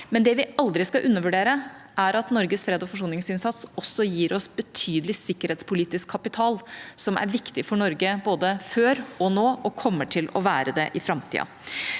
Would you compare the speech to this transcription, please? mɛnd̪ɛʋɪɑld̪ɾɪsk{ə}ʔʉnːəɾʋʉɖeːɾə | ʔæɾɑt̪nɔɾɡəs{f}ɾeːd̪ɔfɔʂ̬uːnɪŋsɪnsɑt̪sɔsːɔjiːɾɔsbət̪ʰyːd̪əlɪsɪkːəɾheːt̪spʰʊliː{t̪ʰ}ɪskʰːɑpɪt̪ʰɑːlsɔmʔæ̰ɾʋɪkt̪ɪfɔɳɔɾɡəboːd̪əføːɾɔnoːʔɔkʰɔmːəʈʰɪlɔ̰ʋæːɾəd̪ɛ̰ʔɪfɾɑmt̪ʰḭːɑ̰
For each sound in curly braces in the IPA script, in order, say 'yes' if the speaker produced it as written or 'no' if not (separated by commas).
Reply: no, yes, no